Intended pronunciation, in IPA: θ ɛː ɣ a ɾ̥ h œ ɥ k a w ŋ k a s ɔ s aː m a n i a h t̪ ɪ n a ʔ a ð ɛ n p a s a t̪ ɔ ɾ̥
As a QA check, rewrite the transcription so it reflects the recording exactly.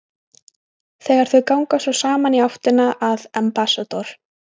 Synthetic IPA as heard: θ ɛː ɣ a ɾ̥ θ œ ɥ k a w ŋ k a s ɔ s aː m a n i a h t̪ ɪ n a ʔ a ð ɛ m p a s a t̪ ɔ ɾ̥